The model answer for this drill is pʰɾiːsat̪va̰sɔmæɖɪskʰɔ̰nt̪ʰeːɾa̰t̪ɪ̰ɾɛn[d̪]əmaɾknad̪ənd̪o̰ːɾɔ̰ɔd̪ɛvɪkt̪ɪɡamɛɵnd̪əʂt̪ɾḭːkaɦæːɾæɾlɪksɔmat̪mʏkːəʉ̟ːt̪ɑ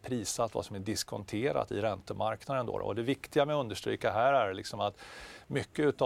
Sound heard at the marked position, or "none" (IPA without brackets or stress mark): t̪